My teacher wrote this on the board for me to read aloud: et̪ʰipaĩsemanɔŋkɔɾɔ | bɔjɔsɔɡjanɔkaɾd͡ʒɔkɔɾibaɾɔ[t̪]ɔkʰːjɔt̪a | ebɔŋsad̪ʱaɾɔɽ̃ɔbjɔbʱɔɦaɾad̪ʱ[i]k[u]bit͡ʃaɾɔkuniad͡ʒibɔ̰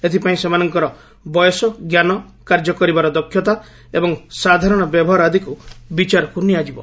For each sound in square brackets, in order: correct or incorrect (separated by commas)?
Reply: incorrect, correct, correct